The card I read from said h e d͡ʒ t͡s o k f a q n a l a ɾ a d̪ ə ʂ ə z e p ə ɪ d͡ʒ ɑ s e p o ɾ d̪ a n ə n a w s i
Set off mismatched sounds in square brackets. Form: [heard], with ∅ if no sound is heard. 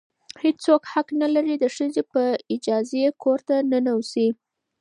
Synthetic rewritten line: h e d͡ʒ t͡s o k [h] a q n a l a ɾ [i] d̪ ə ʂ ə z e p ə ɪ d͡ʒ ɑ [z] e [k] o ɾ [t̪] a n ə n a w s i